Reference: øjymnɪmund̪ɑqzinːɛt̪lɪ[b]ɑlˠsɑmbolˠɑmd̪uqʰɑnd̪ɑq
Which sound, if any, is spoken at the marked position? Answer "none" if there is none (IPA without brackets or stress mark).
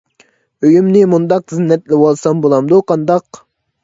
w